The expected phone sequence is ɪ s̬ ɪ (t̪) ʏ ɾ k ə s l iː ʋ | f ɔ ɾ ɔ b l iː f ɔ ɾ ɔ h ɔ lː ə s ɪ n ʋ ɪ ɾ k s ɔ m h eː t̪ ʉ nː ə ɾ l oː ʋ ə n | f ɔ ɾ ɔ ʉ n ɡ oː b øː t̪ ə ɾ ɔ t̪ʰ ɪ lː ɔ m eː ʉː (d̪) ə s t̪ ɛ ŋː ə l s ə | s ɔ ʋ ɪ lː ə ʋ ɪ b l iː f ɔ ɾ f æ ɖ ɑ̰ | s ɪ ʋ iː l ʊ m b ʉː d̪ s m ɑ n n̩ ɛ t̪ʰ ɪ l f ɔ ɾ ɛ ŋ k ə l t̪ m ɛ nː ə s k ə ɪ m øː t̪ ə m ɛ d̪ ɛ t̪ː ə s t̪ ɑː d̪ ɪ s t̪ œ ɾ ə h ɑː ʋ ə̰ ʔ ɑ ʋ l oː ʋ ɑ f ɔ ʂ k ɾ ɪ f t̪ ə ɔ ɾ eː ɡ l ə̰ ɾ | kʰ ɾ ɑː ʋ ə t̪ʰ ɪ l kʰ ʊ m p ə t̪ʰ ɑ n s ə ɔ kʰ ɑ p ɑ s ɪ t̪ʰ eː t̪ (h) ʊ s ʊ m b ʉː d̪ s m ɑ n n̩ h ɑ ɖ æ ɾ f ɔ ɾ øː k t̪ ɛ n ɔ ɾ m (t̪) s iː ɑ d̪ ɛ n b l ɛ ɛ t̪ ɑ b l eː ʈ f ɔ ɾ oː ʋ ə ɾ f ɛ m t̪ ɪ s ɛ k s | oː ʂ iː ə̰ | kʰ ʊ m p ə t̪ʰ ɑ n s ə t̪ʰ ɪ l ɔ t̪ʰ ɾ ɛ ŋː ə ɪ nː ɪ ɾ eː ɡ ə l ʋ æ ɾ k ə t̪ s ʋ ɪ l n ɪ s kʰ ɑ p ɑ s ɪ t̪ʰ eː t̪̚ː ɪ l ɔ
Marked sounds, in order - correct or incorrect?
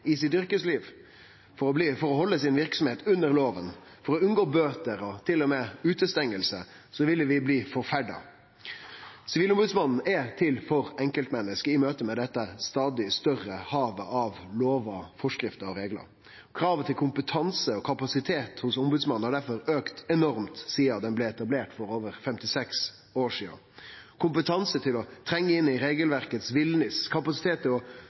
correct, incorrect, correct, correct

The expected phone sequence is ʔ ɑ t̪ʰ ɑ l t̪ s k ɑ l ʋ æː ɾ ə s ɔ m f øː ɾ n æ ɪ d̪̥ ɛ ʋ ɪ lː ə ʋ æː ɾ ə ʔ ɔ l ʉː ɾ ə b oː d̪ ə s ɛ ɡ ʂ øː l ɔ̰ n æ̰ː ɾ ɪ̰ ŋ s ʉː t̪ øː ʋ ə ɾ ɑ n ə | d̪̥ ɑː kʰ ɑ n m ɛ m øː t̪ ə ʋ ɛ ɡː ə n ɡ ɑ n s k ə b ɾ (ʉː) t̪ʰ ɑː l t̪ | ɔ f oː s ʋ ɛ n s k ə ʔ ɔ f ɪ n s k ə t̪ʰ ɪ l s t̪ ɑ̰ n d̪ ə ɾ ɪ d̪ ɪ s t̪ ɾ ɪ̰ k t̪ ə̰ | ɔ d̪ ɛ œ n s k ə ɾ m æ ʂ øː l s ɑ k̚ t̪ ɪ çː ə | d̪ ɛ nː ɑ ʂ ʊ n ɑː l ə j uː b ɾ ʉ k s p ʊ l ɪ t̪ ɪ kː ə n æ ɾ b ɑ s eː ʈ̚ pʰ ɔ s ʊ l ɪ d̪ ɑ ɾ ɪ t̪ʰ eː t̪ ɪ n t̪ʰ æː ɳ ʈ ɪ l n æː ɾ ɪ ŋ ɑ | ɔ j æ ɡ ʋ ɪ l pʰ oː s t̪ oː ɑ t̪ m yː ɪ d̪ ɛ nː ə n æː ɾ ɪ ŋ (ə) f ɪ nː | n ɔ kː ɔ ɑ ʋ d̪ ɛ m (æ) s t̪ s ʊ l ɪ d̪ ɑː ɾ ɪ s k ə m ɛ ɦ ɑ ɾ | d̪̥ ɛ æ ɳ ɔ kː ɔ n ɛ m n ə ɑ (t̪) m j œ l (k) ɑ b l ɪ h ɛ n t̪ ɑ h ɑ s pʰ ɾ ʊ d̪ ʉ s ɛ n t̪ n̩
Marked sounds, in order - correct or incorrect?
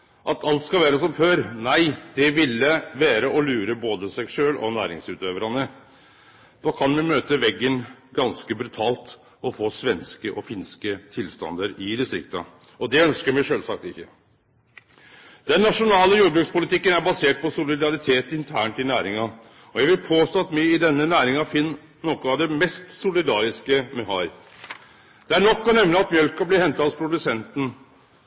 incorrect, incorrect, incorrect, correct, correct

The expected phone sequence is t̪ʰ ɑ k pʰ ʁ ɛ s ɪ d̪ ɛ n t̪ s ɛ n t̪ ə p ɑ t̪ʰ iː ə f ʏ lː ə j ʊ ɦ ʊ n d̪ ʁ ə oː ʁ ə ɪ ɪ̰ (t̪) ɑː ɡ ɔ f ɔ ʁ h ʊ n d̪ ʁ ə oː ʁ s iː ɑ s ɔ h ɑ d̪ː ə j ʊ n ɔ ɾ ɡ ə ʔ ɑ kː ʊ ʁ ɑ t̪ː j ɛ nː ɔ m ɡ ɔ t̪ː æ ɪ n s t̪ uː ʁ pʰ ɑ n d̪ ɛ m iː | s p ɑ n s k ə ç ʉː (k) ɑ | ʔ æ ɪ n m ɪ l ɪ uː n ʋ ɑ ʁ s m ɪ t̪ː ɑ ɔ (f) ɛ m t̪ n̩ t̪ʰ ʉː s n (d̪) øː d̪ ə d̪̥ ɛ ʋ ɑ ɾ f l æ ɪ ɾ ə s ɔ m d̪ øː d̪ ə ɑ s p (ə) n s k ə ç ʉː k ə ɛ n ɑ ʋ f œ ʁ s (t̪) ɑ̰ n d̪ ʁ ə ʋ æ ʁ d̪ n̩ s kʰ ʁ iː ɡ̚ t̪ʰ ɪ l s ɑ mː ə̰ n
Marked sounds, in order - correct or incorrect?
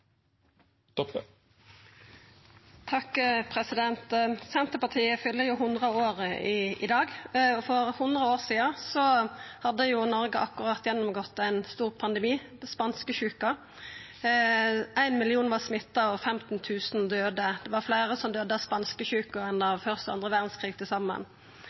incorrect, correct, correct, correct, incorrect, correct

